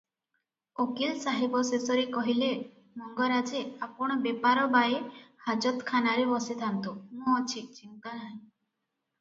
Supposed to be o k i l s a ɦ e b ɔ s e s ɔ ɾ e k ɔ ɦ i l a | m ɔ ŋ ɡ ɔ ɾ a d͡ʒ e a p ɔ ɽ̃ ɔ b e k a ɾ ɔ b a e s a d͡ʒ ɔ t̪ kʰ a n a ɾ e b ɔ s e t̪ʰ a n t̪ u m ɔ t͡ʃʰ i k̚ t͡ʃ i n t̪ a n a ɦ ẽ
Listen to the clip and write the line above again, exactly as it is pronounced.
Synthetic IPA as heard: o k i l s a ɦ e b ɔ s e s ɔ ɾ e k ɔ ɦ i l e | m ɔ ŋ ɡ ɔ ɾ a d͡ʒ e a p ɔ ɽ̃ ɔ b e p a ɾ ɔ b a e h a d͡ʒ ɔ t̪ kʰ a n a ɾ e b ɔ s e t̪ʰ a n t̪ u m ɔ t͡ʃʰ i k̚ t͡ʃ i n t̪ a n a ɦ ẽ